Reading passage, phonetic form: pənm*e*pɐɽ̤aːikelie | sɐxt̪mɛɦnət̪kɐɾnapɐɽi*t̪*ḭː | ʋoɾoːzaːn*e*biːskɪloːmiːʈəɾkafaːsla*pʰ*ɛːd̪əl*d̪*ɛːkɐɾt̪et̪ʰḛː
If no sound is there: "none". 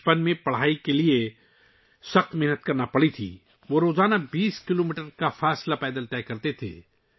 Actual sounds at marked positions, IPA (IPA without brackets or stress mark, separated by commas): ẽ, t̪ʰ, a, p, t̪